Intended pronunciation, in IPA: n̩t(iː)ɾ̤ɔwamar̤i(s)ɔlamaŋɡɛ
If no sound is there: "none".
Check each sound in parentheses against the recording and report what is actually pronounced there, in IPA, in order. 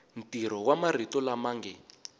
i, t

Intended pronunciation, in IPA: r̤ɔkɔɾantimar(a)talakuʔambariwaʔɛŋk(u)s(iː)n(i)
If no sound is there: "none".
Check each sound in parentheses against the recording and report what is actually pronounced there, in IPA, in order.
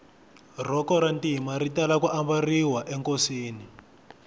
i, o, iː, i

